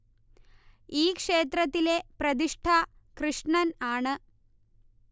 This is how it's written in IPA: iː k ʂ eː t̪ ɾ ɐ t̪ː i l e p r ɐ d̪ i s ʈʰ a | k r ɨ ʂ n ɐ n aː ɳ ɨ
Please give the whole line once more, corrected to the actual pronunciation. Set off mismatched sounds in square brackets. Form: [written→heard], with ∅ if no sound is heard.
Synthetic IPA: iː k ʂ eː t̪ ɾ ɐ t̪ː i l e p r ɐ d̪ i [s→ʂ] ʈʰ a | k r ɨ ʂ [n→ɳ] ɐ n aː ɳ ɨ

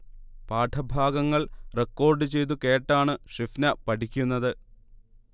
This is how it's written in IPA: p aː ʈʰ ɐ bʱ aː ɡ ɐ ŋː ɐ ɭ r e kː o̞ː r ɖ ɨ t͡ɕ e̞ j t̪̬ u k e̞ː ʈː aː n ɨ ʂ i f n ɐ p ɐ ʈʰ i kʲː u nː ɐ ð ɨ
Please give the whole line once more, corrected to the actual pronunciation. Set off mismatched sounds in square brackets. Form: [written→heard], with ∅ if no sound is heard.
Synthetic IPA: p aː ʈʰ ɐ bʱ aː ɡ ɐ ŋː ɐ ɭ r e kː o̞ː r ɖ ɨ t͡ɕ e̞ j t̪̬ u k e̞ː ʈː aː [n→ɳ] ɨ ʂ i f n ɐ p ɐ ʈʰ i kʲː u nː ɐ ð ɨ

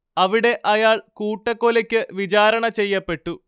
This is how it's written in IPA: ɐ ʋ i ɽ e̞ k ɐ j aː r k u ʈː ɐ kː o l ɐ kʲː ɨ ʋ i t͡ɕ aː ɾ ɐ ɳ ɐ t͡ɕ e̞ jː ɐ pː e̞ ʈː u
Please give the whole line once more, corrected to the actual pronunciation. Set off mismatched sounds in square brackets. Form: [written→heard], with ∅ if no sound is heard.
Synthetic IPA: ɐ ʋ i ɽ e̞ [k→ʔ] ɐ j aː [r→ɭ] k [u→uː] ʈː ɐ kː o l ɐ kʲː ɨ ʋ i t͡ɕ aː ɾ ɐ ɳ ɐ t͡ɕ e̞ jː ɐ pː e̞ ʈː u

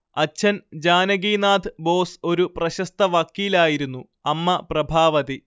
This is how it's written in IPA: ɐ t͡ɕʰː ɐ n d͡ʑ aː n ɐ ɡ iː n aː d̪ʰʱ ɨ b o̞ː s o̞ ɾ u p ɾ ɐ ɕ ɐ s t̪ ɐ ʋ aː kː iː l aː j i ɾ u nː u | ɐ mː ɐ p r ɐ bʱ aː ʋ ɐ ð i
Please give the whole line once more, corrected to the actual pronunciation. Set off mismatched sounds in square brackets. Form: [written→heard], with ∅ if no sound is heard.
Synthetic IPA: ɐ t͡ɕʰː ɐ n d͡ʑ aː n ɐ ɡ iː n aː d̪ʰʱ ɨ b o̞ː s o̞ ɾ u p [ɾ→r] ɐ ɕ ɐ s t̪ ɐ ʋ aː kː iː l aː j i ɾ u nː u | ɐ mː ɐ p r ɐ bʱ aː ʋ ɐ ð i

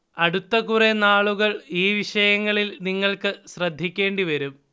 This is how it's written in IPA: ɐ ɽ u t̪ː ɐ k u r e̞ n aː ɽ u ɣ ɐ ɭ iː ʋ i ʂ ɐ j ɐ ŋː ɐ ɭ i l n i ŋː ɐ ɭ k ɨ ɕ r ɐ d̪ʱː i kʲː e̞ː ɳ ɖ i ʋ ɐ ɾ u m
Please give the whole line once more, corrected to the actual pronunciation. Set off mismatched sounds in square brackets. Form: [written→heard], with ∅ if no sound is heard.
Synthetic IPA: ɐ ɽ u t̪ː ɐ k u r e̞ n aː [ɽ→ɭ] u ɣ ɐ ɭ iː ʋ i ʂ ɐ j ɐ ŋː ɐ ɭ i l n i ŋː ɐ ɭ k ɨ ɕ r ɐ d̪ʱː i kʲː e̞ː ɳ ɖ i ʋ ɐ ɾ u m

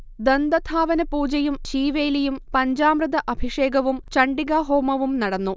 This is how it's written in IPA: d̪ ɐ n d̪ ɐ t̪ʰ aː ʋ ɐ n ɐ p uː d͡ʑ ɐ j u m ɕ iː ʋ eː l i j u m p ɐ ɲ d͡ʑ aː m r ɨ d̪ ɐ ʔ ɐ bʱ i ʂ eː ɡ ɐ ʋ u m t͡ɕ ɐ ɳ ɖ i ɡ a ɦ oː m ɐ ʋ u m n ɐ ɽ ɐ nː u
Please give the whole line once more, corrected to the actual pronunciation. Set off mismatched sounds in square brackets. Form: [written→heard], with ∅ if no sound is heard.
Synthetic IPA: d̪ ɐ n d̪ ɐ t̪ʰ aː ʋ ɐ n ɐ p uː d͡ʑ ɐ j u m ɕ iː ʋ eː l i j u m p ɐ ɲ d͡ʑ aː m r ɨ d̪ ɐ ʔ ɐ bʱ i ʂ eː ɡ ɐ ʋ u m t͡ɕ ɐ ɳ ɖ i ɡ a ɦ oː m ɐ ʋ u m n ɐ ɽ ɐ nː u

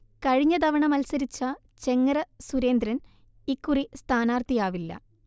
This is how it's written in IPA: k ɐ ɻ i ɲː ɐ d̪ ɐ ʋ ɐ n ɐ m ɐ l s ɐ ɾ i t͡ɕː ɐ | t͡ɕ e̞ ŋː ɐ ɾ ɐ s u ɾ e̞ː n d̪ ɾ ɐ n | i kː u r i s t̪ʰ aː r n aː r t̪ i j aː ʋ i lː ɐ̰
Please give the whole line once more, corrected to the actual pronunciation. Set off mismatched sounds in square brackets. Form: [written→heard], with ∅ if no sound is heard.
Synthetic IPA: k ɐ ɻ i ɲː ɐ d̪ ɐ ʋ ɐ [n→ɳ] ɐ m ɐ l s ɐ ɾ i t͡ɕː ɐ | t͡ɕ e̞ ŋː ɐ ɾ ɐ s u ɾ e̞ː n d̪ ɾ ɐ n | i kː u r i s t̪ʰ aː [r→∅] n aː r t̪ i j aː ʋ i lː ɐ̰

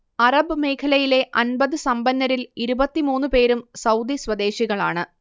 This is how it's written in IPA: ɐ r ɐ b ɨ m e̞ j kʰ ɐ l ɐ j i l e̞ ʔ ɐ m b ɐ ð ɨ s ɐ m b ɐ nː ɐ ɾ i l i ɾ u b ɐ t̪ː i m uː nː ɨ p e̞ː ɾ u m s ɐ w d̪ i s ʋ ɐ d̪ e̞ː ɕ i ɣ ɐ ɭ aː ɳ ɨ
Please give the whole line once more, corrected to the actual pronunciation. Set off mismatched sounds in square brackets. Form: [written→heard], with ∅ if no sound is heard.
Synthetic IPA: ɐ r ɐ b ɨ m e̞ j kʰ ɐ l ɐ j i l e̞ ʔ ɐ [m→n] b ɐ ð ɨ s ɐ m b ɐ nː ɐ ɾ i l i ɾ u b ɐ t̪ː i m uː nː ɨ p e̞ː ɾ u m s ɐ w d̪ i s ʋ ɐ d̪ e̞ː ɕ i ɣ ɐ ɭ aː ɳ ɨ

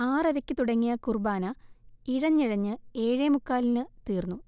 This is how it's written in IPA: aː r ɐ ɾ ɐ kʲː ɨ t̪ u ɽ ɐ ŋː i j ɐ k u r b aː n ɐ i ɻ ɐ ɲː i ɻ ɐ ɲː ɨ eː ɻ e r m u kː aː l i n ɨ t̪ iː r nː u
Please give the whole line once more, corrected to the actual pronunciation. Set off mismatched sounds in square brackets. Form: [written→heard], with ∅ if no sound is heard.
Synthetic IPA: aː r ɐ ɾ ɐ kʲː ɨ t̪ u ɽ ɐ ŋː i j ɐ k u r b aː n ɐ i ɻ ɐ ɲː i ɻ ɐ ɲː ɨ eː ɻ e [r→∅] m u kː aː l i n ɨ t̪ iː r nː u

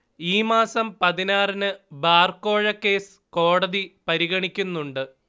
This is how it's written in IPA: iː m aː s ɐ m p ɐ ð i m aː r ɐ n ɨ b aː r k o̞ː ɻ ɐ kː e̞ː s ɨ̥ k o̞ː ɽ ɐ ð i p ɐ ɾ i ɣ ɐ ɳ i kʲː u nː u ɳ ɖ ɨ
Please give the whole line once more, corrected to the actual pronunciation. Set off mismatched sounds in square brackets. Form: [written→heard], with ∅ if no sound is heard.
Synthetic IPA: iː m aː s ɐ m p ɐ ð i [m→n] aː r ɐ n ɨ b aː r k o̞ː ɻ ɐ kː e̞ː s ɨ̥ k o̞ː ɽ ɐ ð i p ɐ ɾ i ɣ ɐ ɳ i kʲː u nː u ɳ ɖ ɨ

